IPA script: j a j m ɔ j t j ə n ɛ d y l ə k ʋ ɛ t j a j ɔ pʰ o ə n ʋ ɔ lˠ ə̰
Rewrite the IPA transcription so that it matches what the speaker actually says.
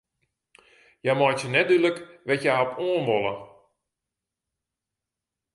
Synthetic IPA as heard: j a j m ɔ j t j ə n ɛ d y l ə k ʋ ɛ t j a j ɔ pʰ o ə n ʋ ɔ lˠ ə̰